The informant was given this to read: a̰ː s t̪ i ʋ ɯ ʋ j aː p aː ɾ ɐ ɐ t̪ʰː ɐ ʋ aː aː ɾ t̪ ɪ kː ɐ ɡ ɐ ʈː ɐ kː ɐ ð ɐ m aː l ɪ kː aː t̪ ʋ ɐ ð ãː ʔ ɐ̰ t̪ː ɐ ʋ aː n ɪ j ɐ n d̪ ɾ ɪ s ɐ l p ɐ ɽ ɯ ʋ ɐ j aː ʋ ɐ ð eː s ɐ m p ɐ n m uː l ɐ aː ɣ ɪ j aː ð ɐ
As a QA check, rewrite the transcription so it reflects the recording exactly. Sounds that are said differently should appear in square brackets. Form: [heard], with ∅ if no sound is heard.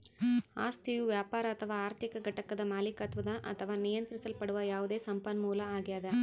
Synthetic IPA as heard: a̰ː s t̪ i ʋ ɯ ʋ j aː p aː ɾ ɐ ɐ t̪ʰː ɐ ʋ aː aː ɾ t̪ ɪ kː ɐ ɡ ɐ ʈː ɐ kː ɐ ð ɐ m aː l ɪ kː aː t̪ ʋ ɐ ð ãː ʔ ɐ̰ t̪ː ɐ ʋ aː n ɪ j ɐ n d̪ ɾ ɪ s ɐ l p ɐ ɽ ɯ ʋ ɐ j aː ʋ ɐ ð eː s ɐ m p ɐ n m uː l ɐ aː ɣ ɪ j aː ð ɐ

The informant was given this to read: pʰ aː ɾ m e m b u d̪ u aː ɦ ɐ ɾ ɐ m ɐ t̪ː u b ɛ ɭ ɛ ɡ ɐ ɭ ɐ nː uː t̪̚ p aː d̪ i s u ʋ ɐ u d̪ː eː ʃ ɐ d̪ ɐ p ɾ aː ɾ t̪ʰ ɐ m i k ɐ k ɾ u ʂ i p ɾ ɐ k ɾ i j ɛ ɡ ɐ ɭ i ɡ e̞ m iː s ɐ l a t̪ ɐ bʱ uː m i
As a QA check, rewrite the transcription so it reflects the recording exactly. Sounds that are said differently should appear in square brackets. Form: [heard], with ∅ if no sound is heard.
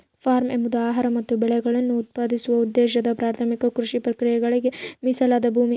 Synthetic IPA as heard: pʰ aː ɾ m e m b u d̪ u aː ɦ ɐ ɾ ɐ m ɐ t̪ː u b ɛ ɭ ɛ ɡ ɐ ɭ ɐ nː uː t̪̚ p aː d̪ i s u ʋ ɐ u d̪ː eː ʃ ɐ d̪ ɐ p ɾ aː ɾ t̪ʰ ɐ m i k ɐ k ɾ u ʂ i p ɾ ɐ k ɾ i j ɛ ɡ ɐ ɭ i ɡ e̞ m [i] s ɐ l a [d̪] ɐ bʱ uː m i

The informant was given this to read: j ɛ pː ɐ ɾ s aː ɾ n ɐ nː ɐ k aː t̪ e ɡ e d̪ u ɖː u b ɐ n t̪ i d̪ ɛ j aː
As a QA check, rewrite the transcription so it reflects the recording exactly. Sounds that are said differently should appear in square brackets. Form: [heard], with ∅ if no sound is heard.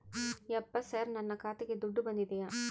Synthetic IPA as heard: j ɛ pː ɐ [∅] s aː ɾ n ɐ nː ɐ k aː t̪ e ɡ e d̪ u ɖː u b ɐ n [d̪] i d̪ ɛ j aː

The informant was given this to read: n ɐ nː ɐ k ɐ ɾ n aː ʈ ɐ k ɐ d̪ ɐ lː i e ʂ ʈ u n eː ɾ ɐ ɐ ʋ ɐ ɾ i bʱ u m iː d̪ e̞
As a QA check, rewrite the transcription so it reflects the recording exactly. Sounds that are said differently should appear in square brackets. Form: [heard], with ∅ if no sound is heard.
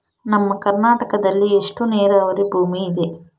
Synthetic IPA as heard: n ɐ [mː] ɐ k ɐ ɾ n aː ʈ ɐ k ɐ d̪ ɐ lː i e ʂ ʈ u n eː ɾ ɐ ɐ ʋ ɐ ɾ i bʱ [uː] m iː d̪ e̞

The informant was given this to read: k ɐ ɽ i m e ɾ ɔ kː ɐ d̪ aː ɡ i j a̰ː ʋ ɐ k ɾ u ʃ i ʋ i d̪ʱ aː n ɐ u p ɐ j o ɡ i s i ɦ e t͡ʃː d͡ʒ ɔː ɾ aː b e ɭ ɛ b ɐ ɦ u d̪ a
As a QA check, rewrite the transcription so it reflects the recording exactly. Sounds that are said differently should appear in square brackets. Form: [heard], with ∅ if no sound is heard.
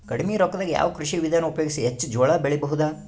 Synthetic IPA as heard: k ɐ ɽ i m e ɾ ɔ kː ɐ d̪ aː ɡ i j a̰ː ʋ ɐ k ɾ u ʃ i ʋ i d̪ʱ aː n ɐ u p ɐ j o ɡ i s i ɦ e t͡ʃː d͡ʒ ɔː [ɭ] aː b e ɭ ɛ b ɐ ɦ u d̪ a

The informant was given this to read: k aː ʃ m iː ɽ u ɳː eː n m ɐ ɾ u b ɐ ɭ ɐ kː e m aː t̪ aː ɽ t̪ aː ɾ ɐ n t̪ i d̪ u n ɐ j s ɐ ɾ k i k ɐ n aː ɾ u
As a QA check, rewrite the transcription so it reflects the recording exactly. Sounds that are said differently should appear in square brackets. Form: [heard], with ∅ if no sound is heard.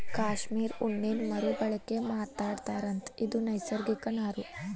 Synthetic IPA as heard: k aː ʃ m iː [ɾ] u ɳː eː n m ɐ ɾ u b ɐ ɭ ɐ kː e m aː t̪ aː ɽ t̪ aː ɾ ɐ n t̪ i d̪ u n ɐ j s ɐ ɾ [ɡ] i k ɐ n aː ɾ u

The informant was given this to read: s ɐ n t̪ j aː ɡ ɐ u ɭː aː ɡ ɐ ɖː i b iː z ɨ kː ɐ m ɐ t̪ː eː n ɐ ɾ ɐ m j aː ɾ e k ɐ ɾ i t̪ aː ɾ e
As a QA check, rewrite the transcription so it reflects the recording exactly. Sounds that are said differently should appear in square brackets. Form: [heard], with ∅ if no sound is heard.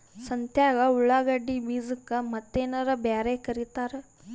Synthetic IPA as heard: s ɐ n t̪ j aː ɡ ɐ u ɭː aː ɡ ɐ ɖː i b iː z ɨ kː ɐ m ɐ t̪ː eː n ɐ ɾ ɐ [b] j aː ɾ e k ɐ ɾ i t̪ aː ɾ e

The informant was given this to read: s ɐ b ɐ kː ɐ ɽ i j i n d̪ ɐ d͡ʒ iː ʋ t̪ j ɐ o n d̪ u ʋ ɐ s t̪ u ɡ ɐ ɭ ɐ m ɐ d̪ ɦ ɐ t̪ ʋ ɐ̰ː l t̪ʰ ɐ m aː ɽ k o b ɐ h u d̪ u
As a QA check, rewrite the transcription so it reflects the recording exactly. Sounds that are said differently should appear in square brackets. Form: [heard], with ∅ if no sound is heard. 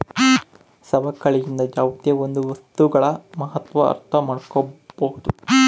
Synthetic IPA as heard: s ɐ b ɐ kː ɐ [ɭ] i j i n d̪ ɐ d͡ʒ [aː] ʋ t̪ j ɐ o n d̪ u ʋ ɐ s t̪ u ɡ ɐ ɭ ɐ m ɐ [∅] ɦ ɐ t̪ ʋ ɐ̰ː [ɾ] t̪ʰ ɐ m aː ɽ k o b ɐ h u d̪ u

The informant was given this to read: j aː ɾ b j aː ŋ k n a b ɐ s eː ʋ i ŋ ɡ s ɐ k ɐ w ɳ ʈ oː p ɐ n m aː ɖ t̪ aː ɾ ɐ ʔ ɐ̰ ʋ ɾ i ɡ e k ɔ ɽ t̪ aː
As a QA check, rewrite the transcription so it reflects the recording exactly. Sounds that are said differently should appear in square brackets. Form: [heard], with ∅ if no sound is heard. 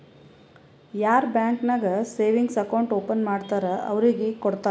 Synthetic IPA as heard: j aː ɾ b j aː ŋ k n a [ɡ] ɐ s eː ʋ i ŋ ɡ s ɐ k ɐ w ɳ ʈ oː p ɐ n m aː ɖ t̪ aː ɾ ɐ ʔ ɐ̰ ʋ ɾ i ɡ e k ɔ ɽ t̪ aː

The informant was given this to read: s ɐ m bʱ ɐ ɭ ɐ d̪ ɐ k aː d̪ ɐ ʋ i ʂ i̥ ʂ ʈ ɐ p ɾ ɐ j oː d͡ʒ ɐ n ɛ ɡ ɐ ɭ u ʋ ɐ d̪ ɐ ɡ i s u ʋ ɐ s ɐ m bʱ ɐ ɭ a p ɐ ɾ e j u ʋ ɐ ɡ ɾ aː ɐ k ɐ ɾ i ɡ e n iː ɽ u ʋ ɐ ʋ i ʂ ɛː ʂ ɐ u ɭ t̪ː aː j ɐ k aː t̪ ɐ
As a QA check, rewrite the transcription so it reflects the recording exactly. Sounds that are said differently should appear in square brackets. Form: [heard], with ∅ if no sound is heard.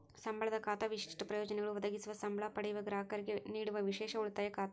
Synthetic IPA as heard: s ɐ m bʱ ɐ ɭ ɐ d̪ ɐ k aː [t̪] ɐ ʋ i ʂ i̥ ʂ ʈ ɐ p ɾ ɐ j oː d͡ʒ ɐ n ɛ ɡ ɐ ɭ u ʋ ɐ d̪ ɐ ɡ i s u ʋ ɐ s ɐ m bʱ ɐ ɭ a p ɐ [ɽ] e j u ʋ ɐ ɡ ɾ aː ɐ k ɐ ɾ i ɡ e n iː ɽ u ʋ ɐ ʋ i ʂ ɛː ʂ ɐ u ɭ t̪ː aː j ɐ k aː t̪ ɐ

